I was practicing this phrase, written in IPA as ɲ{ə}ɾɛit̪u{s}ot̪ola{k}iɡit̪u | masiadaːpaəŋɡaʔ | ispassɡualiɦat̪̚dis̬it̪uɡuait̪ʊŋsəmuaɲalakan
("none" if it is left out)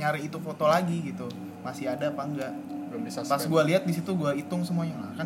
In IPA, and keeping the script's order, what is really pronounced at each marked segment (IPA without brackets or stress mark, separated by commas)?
a, f, ɡ